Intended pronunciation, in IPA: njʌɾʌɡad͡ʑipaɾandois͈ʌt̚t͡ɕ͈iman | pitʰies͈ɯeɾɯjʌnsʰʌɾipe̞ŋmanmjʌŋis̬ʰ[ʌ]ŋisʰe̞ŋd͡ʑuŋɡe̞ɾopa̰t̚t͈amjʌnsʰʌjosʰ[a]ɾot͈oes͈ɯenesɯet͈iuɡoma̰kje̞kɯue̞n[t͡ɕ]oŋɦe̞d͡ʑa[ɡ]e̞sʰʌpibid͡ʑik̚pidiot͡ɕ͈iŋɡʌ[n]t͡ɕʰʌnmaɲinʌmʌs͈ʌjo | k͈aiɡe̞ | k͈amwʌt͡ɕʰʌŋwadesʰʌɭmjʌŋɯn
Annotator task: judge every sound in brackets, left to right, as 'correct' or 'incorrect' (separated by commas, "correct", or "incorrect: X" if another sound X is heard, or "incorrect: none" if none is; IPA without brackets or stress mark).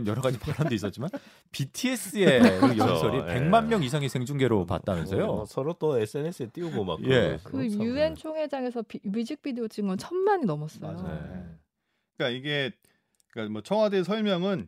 incorrect: a, incorrect: ʌ, incorrect: t͡ɕʰ, incorrect: ŋ, correct